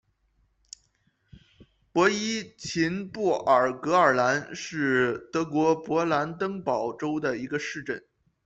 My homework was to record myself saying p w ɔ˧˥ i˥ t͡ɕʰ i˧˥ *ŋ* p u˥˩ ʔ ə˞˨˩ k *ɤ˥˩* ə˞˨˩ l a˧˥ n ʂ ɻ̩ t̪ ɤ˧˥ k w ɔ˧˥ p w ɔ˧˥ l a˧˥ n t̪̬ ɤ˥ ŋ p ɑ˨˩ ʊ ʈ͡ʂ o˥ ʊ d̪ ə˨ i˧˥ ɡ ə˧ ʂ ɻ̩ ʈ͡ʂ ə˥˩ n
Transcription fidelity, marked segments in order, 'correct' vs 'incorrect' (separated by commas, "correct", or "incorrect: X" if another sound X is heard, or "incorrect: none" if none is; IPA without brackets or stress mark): incorrect: n, incorrect: ɤ˧˥